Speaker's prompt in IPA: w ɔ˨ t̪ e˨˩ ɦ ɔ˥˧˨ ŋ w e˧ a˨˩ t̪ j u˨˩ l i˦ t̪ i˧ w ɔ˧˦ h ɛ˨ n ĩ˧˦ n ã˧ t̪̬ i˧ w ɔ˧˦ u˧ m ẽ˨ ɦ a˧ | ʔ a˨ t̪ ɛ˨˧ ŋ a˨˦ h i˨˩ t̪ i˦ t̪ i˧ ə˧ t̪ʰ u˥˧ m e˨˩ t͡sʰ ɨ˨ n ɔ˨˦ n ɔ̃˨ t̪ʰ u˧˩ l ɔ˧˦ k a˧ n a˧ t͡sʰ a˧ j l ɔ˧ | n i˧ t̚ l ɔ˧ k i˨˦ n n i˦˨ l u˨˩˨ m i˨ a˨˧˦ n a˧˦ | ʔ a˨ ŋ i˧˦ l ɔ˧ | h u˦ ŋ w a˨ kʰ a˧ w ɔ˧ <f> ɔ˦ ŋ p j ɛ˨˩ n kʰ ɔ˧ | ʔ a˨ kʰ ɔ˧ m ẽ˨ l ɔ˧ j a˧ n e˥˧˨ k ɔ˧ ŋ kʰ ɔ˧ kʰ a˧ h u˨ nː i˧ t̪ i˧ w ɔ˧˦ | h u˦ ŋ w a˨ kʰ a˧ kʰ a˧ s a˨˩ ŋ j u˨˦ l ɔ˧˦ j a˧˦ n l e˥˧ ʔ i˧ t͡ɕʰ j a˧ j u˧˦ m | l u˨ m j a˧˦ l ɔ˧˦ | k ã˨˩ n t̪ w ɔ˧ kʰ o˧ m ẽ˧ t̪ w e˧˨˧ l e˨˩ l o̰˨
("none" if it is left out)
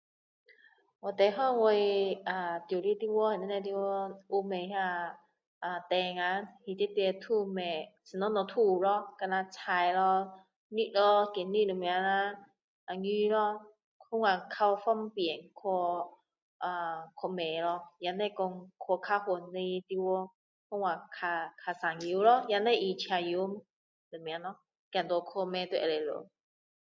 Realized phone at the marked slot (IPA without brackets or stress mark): f